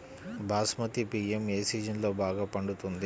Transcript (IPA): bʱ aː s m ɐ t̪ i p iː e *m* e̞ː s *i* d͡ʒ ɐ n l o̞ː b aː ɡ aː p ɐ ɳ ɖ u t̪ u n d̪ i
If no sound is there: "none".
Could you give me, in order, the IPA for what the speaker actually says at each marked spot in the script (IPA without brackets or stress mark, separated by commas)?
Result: m, iː